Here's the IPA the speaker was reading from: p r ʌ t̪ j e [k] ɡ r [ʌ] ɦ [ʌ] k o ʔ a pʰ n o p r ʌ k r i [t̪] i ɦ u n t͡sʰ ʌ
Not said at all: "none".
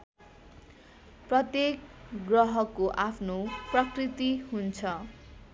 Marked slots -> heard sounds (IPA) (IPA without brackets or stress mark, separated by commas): k, ʌ, ʌ, t̪